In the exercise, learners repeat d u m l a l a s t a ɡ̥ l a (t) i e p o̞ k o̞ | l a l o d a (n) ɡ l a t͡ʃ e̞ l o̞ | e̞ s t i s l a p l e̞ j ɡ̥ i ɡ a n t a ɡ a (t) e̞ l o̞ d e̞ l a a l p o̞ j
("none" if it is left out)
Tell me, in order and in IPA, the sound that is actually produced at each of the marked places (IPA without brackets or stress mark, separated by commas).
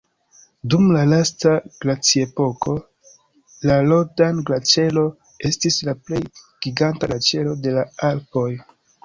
t͡s, n, t͡ʃ